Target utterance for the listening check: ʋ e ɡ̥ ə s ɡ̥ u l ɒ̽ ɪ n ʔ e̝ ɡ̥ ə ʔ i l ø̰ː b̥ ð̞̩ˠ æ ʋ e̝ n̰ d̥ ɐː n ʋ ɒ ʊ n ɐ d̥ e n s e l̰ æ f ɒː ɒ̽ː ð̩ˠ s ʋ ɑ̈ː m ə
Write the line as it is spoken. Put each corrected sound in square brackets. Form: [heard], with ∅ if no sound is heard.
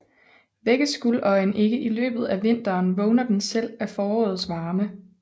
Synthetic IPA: ʋ e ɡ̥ ə s ɡ̥ u l ɒ̽ ɪ n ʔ e̝ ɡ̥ ə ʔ i l ø̰ː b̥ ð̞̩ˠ æ ʋ e̝ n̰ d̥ ɐː n ʋ [ɔ] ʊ n ɐ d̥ e n s e l̰ æ f ɒː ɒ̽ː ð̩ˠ s ʋ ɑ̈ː m ə